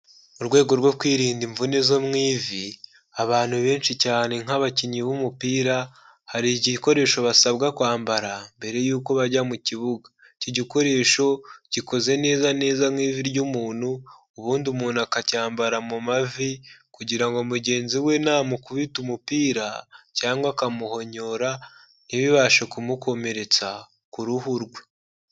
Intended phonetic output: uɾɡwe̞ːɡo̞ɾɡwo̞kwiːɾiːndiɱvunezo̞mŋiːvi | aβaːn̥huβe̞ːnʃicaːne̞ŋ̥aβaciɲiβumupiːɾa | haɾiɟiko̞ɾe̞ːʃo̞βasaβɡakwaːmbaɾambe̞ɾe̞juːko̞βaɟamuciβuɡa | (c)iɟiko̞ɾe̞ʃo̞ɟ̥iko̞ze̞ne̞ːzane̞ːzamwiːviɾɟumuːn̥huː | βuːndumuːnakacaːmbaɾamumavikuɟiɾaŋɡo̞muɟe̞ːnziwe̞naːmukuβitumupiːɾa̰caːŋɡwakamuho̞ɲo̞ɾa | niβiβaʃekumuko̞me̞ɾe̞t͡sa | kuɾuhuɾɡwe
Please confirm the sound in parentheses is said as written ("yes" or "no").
yes